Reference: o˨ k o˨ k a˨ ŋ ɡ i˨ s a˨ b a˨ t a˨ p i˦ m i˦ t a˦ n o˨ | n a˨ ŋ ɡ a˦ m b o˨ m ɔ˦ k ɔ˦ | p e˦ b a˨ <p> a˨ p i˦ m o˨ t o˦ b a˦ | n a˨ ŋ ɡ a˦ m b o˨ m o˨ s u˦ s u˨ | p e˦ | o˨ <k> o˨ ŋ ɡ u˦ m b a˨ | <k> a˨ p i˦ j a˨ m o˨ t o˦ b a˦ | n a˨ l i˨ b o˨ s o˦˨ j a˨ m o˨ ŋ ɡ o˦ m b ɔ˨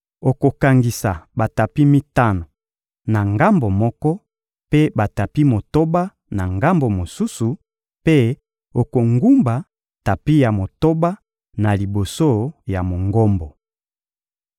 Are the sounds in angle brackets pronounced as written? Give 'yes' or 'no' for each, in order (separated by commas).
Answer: no, yes, no